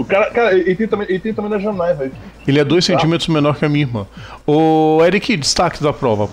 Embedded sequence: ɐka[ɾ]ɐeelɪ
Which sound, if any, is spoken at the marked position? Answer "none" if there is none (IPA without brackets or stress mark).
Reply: ɾ